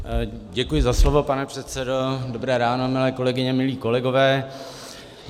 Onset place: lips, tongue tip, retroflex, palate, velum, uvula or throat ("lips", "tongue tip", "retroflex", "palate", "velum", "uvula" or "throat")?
palate